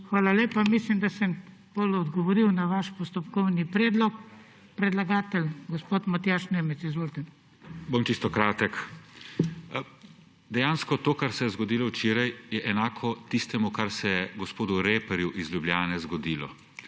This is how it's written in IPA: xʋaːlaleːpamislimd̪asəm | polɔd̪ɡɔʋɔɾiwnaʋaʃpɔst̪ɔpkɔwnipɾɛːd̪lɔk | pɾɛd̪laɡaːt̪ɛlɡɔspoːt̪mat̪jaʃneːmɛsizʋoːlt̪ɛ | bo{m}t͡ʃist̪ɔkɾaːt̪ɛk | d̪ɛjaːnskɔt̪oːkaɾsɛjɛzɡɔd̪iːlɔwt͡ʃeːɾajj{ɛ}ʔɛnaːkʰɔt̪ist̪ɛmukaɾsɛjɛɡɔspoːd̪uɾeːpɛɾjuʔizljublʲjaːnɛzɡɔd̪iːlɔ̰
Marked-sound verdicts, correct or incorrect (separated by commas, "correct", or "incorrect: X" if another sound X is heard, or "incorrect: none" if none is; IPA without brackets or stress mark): correct, correct